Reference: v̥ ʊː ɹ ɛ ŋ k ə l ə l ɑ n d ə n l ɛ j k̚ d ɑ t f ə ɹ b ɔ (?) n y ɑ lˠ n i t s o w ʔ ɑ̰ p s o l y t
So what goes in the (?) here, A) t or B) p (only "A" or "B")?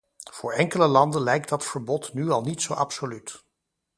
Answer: A